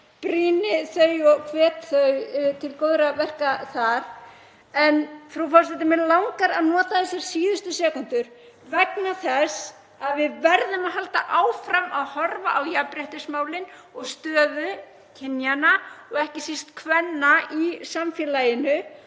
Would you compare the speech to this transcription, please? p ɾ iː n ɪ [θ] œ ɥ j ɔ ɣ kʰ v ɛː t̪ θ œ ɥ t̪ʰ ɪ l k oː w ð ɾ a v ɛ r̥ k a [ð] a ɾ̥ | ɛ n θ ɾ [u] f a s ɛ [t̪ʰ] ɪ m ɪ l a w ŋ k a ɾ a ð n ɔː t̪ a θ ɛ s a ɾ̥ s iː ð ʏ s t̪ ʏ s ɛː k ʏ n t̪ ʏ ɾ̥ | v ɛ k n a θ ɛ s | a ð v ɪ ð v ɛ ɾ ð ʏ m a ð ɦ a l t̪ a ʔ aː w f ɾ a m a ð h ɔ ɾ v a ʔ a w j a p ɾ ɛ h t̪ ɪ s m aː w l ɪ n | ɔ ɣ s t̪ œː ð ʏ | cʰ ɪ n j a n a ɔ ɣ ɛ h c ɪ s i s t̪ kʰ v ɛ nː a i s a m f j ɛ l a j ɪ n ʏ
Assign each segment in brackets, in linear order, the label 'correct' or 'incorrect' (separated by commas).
correct, incorrect, correct, incorrect